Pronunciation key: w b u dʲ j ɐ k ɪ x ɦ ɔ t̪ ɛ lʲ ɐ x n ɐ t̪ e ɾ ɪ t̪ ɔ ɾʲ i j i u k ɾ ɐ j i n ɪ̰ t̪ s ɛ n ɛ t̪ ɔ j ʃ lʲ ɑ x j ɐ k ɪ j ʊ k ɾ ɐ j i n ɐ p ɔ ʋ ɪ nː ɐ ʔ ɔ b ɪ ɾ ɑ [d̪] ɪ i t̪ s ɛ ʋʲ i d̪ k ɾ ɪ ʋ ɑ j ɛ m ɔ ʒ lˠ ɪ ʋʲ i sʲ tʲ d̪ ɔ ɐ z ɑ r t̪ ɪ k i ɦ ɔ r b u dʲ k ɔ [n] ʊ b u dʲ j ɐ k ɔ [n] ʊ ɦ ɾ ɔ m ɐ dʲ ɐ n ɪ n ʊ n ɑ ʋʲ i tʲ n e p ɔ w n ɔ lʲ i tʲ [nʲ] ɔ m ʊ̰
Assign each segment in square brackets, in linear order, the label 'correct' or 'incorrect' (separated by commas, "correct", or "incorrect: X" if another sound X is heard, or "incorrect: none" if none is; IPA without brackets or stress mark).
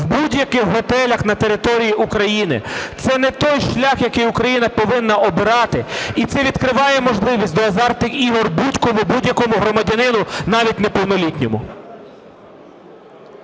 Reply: incorrect: t̪, incorrect: m, incorrect: m, correct